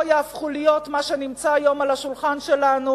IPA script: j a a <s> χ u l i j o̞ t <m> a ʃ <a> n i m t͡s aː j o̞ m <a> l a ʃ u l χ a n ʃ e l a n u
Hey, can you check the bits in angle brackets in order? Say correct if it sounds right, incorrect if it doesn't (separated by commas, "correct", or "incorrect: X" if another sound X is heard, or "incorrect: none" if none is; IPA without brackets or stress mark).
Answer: incorrect: f, correct, incorrect: e, correct